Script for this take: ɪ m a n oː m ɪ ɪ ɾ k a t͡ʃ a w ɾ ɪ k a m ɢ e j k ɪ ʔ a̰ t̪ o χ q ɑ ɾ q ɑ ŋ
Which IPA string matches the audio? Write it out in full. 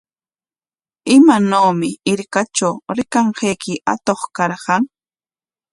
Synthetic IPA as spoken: ɪ m a n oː m ɪ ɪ ɾ k a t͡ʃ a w ɾ ɪ k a ɴ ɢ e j k ɪ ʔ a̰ t̪ o χ k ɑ ɾ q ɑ ŋ